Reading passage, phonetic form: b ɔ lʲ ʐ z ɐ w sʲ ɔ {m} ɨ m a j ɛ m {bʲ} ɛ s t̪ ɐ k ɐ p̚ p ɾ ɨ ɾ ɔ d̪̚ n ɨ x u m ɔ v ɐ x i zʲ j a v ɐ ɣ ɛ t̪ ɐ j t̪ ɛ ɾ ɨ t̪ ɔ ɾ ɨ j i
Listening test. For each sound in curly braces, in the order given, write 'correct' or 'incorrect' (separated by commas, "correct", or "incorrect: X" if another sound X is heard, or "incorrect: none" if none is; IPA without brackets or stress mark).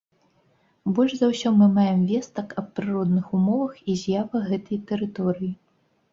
correct, incorrect: vʲ